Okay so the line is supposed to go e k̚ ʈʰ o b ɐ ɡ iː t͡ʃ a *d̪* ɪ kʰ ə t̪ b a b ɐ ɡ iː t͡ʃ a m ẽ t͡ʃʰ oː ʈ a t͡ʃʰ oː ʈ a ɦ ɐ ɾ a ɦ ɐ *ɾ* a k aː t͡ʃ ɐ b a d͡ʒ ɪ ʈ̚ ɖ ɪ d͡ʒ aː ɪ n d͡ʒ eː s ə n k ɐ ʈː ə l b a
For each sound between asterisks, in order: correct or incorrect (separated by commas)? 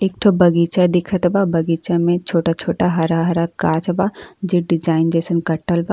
correct, correct